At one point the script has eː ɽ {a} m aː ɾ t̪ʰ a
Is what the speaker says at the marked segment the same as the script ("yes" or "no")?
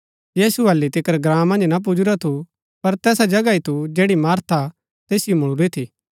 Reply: no